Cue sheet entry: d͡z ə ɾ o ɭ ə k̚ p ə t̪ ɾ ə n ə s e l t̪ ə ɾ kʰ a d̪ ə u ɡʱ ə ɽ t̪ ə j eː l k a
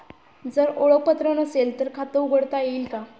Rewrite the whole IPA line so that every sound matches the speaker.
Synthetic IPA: d͡z ə ɾ o ɭ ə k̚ p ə t̪ ɾ ə n ə s e l t̪ ə ɾ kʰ a t̪ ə u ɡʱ ə ɽ t̪ a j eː l k a

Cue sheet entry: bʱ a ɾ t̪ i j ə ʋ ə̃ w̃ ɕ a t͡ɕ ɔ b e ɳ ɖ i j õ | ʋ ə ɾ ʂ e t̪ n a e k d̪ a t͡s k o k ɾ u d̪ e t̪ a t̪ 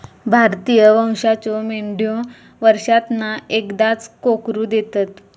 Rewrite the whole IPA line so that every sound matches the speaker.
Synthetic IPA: bʱ a ɾ t̪ i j ə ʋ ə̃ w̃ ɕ a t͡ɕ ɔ m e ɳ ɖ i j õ | ʋ ə ɾ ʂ a t̪ n a e k d̪ a t͡s k o k ɾ u d̪ e t̪ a t̪

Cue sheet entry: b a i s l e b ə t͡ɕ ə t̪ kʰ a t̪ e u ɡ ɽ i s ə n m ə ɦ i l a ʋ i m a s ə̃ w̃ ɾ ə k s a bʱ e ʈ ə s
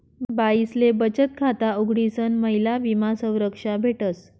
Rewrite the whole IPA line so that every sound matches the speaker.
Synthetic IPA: b a i s l e b ə t͡ɕ ə t̪ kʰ a t̪ a u ɡ ɽ i s ə n m ə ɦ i l a ʋ i m a s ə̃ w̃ ɾ ə k ʂ a bʱ e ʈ ə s

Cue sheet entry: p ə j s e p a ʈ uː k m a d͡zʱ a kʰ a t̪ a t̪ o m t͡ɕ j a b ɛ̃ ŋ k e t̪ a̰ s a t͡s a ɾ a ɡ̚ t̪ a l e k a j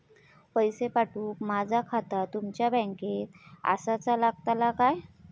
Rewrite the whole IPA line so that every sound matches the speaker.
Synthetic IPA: p ə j s e p a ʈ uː k m a d͡zʱ a kʰ a t̪ a t̪ u m t͡ɕ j a b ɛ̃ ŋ k e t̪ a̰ s a t͡s a l a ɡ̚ t̪ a l a k a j

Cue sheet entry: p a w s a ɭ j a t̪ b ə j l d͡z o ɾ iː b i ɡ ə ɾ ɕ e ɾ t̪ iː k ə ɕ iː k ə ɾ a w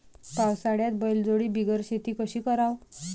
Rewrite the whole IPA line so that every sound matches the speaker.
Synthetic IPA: p a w s a ɽ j a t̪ b ə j l d͡z o ɽ iː b i ɡ ə ɾ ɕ e t̪ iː k ə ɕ iː k ə ɾ a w

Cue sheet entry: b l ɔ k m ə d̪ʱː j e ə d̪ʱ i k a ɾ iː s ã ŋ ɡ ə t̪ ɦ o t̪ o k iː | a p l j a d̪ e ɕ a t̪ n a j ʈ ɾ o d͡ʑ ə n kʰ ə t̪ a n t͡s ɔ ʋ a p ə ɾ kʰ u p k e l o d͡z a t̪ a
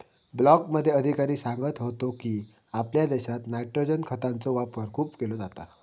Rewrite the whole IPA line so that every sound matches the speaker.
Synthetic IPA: b l ɔ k m ə d̪ʱː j e ə d̪ʱ i k a ɾ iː s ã ŋ ɡ ə t̪ ɦ o t̪ o k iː | a p l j a d̪ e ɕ a t̪ n a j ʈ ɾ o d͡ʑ ə n kʰ ə t̪ a n t͡s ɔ ʋ a p ə ɾ kʰ uː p k e l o d͡z a t̪ a

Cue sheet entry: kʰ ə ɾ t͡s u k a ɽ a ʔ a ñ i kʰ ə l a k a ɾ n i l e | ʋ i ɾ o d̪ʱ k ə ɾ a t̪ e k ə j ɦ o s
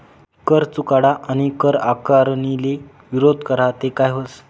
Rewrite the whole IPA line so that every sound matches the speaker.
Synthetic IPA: k ə ɾ t͡s u k a ɽ a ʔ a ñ i k ə ɾ a k a ɾ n i l e | ʋ i ɾ o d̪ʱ k ə ɾ a t̪ e k a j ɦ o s

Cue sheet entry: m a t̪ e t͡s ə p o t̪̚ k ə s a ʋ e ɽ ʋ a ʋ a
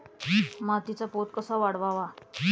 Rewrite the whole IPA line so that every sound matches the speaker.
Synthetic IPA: m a t̪ i t͡s a p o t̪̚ k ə s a ʋ a ɽ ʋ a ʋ a

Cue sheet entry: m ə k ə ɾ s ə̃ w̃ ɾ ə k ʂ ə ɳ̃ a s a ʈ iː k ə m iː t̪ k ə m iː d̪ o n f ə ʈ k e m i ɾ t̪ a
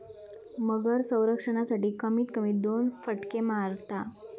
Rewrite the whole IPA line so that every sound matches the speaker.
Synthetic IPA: m ə ɡ ə ɾ s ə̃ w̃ ɾ ə k ʂ ə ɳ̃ a s a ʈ iː k ə m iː t̪ k ə m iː d̪ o n f ə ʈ k e m a ɾ t̪ a

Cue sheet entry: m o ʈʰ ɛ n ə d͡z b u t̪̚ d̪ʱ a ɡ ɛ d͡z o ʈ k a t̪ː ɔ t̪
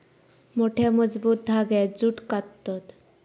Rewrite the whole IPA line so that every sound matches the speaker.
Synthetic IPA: m o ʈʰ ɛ m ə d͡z b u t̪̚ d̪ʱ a ɡ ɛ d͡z u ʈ k a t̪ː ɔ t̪

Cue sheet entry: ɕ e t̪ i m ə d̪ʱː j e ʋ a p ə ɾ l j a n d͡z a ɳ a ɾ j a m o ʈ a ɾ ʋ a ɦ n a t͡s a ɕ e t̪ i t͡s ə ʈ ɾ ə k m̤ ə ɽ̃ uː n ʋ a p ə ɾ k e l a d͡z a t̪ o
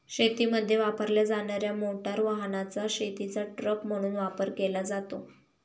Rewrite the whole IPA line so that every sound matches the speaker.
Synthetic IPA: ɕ e t̪ i m ə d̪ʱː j e ʋ a p ə ɾ l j a d͡z a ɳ a ɾ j a m o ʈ a ɾ ʋ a ɦ n a t͡s a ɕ e t̪ i t͡s a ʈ ɾ ə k m̤ ə ɽ̃ uː n ʋ a p ə ɾ k e l a d͡z a t̪ o

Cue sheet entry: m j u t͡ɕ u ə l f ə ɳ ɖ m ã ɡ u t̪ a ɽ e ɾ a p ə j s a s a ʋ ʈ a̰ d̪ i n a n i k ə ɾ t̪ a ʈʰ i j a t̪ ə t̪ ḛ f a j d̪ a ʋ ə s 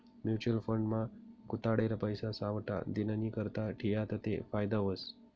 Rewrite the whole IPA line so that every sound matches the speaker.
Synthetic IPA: m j u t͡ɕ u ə l f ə ɳ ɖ m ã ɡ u t̪ a ɽ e ɾ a p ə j s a s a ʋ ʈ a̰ d̪ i n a n i k ə ɾ t̪ a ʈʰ i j a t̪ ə t̪ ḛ f a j d̪ a ʋ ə s

